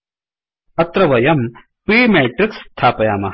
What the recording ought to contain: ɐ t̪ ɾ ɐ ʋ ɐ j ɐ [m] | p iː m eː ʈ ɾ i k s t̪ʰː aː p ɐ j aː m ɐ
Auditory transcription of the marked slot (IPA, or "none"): m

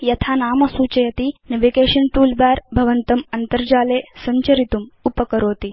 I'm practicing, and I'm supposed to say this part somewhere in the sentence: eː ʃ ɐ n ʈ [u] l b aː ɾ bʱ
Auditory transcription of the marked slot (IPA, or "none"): uː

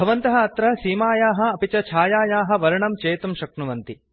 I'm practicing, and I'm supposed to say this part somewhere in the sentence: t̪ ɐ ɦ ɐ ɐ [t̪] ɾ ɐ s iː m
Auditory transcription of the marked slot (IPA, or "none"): t̪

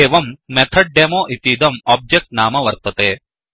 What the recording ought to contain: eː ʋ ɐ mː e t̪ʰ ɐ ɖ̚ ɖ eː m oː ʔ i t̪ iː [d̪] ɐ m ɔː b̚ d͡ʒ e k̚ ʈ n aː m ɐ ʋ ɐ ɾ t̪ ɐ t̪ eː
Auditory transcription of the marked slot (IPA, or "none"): d̪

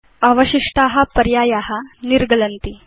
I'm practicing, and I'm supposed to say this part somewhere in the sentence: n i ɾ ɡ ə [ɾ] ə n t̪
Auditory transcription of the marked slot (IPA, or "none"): l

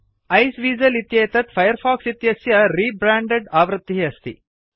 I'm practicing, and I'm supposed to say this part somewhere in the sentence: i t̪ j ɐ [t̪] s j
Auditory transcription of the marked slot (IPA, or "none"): none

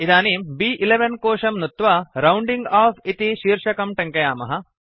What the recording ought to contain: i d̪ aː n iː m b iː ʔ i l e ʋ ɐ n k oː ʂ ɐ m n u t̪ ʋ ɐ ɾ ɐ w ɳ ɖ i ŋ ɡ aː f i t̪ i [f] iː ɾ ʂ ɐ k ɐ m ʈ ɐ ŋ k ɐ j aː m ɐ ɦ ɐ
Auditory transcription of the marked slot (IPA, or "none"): ʃ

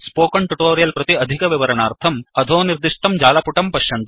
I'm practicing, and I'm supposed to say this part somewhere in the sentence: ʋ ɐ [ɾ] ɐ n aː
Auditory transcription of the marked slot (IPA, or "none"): ɾ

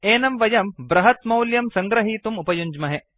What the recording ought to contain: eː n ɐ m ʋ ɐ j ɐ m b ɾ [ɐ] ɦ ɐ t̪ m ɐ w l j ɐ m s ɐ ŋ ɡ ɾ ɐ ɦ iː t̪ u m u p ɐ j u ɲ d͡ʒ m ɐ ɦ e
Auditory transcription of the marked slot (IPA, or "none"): ɐ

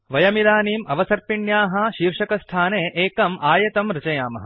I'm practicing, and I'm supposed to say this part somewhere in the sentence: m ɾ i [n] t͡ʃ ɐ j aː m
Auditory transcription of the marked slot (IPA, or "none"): none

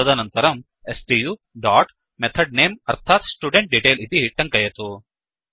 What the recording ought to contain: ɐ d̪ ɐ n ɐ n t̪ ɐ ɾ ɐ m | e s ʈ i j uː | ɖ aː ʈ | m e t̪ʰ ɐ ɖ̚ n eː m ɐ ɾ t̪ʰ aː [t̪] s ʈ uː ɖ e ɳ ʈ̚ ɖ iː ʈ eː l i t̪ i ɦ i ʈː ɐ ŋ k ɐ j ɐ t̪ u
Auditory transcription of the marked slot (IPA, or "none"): t̪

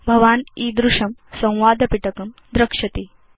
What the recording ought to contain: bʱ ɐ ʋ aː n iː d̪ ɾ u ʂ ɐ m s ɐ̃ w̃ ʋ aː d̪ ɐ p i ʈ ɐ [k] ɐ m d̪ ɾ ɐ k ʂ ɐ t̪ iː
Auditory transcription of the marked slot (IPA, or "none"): k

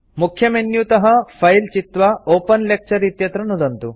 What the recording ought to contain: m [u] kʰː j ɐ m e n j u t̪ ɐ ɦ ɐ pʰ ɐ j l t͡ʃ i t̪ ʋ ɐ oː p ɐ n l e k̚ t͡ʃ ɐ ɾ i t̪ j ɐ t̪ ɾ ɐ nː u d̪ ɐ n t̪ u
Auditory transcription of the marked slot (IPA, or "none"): u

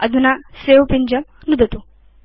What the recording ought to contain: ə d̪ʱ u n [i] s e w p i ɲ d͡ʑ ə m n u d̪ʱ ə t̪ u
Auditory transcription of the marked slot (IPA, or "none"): a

